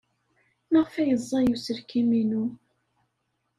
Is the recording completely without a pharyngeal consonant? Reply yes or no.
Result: yes